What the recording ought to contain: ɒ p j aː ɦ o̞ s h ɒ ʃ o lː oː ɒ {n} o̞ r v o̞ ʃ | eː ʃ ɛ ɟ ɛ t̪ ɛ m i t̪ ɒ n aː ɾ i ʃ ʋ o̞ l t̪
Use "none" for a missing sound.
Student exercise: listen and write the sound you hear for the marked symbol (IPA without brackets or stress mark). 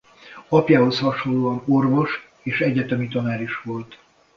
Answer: n